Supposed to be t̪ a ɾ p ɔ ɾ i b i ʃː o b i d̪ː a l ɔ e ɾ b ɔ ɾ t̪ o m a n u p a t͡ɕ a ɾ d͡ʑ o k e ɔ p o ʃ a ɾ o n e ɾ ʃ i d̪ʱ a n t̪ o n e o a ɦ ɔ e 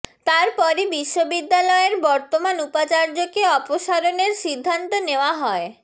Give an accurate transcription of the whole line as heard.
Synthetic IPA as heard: t̪ a ɾ p ɔ ɾ i b i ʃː o b i d̪ː a l ɔ e ɾ b ɔ ɾ t̪ o m a n u p a t͡ɕ a ɾ d͡ʑ o k e ɔ p o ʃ a ɾ o n e ɾ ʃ i d̪ʱː a n t̪ o n e o a ɦ ɔ e